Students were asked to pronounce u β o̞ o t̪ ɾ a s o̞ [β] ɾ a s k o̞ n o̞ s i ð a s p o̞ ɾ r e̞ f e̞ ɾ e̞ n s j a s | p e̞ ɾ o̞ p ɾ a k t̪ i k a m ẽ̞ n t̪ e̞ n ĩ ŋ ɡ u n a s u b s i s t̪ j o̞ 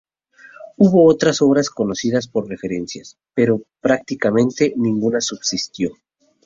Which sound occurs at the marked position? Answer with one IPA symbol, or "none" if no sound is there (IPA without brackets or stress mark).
β